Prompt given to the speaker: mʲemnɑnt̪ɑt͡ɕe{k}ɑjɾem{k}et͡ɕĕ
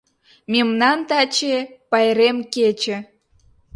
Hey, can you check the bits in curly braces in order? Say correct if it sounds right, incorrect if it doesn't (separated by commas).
incorrect, correct